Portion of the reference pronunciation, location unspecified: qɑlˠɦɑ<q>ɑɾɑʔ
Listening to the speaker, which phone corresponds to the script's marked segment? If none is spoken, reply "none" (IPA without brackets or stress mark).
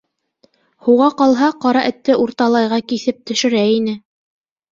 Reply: q